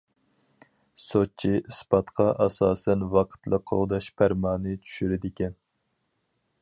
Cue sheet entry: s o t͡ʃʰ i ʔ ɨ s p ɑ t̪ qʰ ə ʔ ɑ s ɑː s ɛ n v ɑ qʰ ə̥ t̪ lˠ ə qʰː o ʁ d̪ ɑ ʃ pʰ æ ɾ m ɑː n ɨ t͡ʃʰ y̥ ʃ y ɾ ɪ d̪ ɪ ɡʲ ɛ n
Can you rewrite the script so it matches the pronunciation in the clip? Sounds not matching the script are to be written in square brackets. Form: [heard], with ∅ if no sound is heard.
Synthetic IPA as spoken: s o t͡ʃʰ i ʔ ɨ s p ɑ t̪ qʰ [ɑ] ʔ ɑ s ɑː s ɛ n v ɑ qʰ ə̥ t̪ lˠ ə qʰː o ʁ d̪ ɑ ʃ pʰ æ ɾ m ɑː n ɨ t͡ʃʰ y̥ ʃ y ɾ ɪ d̪ ɪ [kʲ] ɛ n